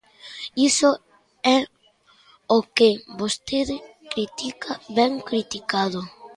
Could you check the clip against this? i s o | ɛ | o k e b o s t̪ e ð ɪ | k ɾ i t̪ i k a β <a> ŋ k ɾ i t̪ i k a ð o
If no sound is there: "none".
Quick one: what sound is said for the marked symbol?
ɛ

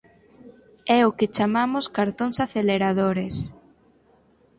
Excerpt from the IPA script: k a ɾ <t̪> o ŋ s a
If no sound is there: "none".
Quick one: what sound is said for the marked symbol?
t̪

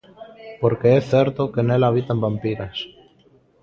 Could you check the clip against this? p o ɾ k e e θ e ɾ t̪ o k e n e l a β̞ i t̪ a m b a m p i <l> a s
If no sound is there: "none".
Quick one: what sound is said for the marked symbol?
ɾ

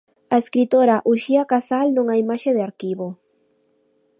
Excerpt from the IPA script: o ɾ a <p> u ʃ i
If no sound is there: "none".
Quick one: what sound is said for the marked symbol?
ʔ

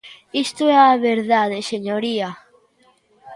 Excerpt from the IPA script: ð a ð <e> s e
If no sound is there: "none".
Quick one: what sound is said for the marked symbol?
e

